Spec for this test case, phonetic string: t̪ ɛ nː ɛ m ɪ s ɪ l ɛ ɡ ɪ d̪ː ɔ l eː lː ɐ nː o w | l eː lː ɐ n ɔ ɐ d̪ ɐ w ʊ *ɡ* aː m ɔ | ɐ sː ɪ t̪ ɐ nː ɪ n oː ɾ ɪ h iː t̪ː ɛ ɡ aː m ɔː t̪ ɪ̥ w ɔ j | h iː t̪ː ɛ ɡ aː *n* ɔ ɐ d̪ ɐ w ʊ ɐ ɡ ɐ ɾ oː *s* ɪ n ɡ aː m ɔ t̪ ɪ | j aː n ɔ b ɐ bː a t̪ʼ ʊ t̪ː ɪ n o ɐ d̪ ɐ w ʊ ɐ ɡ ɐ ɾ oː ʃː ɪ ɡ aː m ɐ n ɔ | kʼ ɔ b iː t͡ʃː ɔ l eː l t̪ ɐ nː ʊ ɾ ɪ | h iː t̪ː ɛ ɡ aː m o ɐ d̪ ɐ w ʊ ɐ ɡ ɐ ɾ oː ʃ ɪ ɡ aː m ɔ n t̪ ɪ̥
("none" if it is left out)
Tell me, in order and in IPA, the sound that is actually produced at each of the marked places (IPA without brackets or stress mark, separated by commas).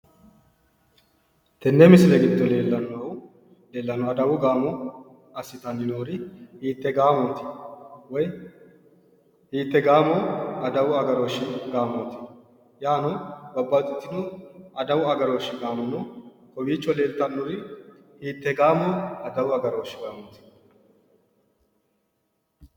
ɡ, m, ʃ